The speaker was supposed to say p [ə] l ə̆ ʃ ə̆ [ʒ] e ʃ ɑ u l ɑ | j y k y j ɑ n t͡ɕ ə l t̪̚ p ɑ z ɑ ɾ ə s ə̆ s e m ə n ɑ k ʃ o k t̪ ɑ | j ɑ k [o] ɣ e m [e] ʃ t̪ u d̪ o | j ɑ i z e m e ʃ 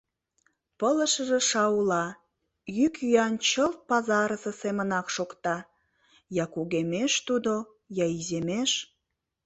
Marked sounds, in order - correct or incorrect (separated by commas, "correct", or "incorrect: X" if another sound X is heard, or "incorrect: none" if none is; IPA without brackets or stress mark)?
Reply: correct, correct, incorrect: u, correct